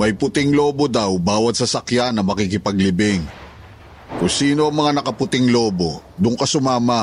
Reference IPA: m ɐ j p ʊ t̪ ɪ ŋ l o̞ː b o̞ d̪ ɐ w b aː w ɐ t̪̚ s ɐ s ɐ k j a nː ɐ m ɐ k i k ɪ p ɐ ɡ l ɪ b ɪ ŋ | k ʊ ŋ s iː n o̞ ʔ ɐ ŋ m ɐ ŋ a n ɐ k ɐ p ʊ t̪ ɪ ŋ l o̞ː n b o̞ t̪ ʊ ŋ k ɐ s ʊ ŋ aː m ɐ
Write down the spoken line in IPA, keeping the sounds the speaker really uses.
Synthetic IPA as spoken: m ɐ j p ʊ t̪ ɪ ŋ l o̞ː b o̞ d̪ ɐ w b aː w ɐ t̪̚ s ɐ s ɐ k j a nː ɐ m ɐ k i k ɪ p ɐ ɡ l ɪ b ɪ ŋ | k ʊ ŋ s iː n o̞ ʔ ɐ ŋ m ɐ ŋ a n ɐ k ɐ p ʊ t̪ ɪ ŋ l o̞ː b o̞ d̪ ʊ ŋ k ɐ s ʊ m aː m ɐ